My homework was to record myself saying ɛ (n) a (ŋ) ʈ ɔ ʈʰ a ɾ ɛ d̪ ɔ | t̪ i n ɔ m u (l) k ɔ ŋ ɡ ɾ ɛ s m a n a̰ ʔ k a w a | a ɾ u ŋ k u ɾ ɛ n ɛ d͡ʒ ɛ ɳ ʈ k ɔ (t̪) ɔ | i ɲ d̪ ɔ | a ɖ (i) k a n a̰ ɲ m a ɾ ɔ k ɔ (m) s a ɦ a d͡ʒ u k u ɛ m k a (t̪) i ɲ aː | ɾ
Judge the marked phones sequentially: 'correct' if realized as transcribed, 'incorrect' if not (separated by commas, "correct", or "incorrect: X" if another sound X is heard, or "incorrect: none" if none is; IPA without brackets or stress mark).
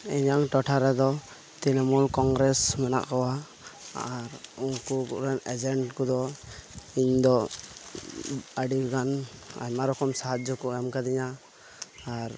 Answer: incorrect: ɲ, correct, correct, incorrect: d̪, correct, correct, incorrect: d̪